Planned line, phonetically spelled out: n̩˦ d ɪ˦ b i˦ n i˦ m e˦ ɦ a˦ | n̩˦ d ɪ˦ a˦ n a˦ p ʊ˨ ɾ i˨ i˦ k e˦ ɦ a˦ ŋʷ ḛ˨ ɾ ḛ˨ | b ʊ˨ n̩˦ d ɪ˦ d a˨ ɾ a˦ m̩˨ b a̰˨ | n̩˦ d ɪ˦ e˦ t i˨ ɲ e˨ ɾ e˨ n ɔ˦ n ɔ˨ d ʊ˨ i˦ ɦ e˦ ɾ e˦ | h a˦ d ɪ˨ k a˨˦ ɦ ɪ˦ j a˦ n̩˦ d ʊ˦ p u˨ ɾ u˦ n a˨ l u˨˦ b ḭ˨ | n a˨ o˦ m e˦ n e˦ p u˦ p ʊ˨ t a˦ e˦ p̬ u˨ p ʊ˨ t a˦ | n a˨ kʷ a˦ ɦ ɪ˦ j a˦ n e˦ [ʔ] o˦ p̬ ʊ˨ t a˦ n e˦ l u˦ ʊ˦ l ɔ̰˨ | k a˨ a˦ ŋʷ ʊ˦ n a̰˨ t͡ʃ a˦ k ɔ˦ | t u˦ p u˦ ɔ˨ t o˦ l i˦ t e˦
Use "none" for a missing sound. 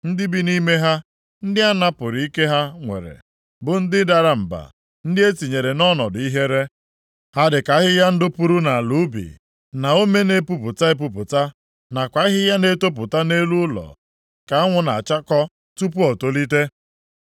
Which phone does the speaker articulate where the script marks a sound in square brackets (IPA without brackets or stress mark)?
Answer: t